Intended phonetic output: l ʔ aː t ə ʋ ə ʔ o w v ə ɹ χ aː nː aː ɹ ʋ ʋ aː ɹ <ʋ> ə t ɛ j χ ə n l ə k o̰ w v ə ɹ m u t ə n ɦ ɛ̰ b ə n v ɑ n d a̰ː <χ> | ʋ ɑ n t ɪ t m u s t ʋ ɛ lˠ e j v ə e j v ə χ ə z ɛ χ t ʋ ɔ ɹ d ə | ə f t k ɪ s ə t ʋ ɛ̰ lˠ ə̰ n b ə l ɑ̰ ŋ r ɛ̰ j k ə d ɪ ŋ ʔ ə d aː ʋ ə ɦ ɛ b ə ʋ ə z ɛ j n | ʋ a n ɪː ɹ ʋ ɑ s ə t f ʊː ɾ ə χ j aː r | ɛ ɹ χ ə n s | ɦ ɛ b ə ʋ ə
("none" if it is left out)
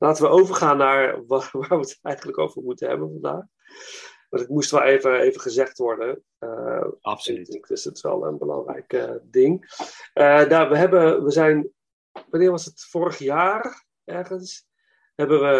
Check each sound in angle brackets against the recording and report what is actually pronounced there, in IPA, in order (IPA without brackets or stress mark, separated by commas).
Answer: ʋ, χ